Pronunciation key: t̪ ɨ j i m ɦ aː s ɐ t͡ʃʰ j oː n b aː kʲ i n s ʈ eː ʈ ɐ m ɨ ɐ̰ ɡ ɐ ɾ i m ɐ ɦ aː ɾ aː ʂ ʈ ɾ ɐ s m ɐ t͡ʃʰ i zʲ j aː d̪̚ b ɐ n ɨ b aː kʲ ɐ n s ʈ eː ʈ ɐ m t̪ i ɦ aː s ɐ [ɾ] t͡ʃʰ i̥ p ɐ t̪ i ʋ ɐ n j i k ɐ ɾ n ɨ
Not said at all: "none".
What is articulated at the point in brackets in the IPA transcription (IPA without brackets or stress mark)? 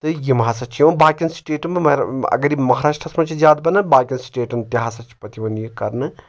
none